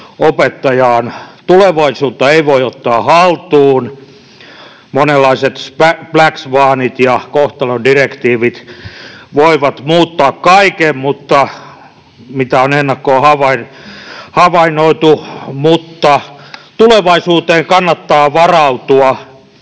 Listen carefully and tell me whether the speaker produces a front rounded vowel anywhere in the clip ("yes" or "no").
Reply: no